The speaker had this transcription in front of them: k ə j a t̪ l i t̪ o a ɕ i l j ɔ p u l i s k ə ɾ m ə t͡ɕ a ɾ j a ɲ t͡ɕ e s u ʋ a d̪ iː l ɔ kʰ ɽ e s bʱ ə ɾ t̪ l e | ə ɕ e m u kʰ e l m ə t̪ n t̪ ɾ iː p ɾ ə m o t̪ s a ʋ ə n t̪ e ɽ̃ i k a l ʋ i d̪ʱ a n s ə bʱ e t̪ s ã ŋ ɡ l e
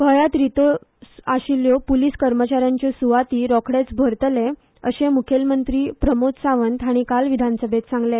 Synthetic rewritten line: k ə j a t̪ ɾ i t̪ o a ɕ i l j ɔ p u l i s k ə ɾ m ə t͡ɕ a ɾ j a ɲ t͡ɕ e s u ʋ a t̪ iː ɾ ɔ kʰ ɽ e t͡s bʱ ə ɾ t̪ l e | ə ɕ e m u kʰ e l m ə n t̪ ɾ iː p ɾ ə m o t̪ s a ʋ ə n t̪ a ɽ̃ i k a l ʋ i d̪ʱ a n s ə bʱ e t̪ s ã ŋ ɡ l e